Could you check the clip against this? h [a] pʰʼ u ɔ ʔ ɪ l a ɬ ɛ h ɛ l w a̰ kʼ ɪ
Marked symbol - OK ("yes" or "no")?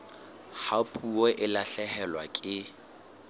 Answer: yes